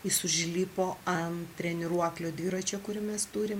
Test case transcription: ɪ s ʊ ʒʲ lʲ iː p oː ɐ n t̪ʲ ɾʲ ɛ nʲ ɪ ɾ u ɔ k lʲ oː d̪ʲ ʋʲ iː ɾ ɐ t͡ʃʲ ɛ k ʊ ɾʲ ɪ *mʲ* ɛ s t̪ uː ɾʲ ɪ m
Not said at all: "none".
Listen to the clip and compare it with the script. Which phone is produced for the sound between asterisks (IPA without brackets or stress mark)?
mʲ